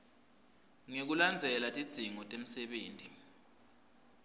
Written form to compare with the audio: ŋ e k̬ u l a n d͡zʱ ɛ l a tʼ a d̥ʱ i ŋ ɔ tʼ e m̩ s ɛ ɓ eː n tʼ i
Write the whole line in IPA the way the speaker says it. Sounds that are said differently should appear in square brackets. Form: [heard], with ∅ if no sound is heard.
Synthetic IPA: ŋ e k̬ u l a n d͡zʱ ɛ l a tʼ [i] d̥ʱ i ŋ ɔ tʼ e m̩ s ɛ ɓ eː n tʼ i

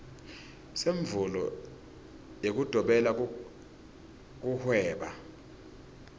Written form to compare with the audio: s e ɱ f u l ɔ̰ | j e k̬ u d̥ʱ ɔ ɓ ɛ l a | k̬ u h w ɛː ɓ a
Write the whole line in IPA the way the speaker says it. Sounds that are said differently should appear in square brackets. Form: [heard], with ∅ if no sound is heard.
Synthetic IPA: s e ɱ [v] u l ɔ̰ | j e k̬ u d̥ʱ ɔ ɓ ɛ l a | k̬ u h w ɛː ɓ a

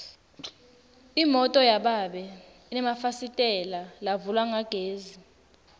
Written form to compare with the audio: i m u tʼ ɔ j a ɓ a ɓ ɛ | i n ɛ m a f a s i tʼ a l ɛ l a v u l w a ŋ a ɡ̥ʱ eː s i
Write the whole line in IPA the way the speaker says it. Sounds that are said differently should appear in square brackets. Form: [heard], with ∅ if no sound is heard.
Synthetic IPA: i m [ɔ] tʼ ɔ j a ɓ a ɓ ɛ | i n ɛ m a f a s i tʼ [ɛ] l [a] l a v u l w a ŋ a ɡ̥ʱ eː [z] i

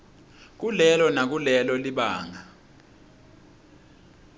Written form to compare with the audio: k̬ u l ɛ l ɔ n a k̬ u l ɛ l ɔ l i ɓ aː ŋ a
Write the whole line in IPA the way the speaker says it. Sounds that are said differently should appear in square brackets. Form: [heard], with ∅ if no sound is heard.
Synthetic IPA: k̬ u l ɛ l ɔ n a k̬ u l ɛ l ɔ l i ɓ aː ŋ a

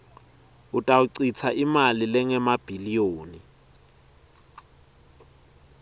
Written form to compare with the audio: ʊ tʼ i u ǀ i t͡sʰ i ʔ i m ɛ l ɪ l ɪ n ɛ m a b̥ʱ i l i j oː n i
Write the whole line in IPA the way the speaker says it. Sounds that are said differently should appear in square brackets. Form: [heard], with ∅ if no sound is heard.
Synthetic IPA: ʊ tʼ [a] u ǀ i t͡sʰ [a] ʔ i m [a] l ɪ l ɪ [ŋ] ɛ m a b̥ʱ i l i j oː n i

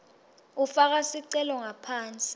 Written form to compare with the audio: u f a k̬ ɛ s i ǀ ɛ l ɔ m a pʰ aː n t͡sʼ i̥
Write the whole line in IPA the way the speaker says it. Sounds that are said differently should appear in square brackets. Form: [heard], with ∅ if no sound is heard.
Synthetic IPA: u f a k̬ [a] s i ǀ ɛ l ɔ [ŋ] a pʰ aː n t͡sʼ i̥

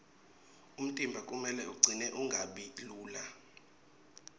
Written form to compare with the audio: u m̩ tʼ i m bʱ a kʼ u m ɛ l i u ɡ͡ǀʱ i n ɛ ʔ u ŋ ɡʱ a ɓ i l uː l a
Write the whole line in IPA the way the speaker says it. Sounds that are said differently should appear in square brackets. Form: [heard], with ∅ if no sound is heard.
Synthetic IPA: u m̩ tʼ i m bʱ a kʼ u m ɛ l [ɛ] u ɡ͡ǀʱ i n ɛ ʔ u ŋ ɡʱ a ɓ i l uː l a

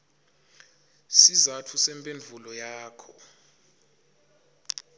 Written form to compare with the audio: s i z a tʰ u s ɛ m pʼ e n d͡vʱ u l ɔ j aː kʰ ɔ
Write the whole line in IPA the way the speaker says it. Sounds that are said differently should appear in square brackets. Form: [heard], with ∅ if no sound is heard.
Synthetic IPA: s i z a tʰ u s ɛ m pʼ e n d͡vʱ u l ɔ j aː kʰ ɔ

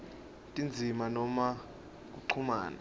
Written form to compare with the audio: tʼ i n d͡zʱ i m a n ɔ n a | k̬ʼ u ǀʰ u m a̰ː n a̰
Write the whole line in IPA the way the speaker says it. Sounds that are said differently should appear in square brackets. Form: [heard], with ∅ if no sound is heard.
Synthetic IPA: tʼ i n d͡zʱ i m a n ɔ [m] a | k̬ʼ u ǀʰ u m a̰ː n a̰

